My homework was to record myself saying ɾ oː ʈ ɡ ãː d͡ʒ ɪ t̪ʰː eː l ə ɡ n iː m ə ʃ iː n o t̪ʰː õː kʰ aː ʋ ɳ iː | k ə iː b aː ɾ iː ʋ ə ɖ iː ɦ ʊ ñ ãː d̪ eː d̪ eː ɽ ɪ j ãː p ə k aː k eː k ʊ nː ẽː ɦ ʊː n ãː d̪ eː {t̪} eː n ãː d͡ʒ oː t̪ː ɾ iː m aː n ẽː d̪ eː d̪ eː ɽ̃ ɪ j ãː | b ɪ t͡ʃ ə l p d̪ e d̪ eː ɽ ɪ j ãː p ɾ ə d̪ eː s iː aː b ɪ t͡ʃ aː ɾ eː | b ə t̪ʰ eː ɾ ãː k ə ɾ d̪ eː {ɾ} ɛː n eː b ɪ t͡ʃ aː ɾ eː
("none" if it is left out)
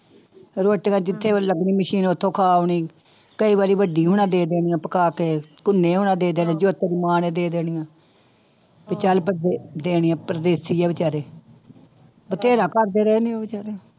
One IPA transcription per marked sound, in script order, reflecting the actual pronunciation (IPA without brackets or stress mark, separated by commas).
d̪, ɾ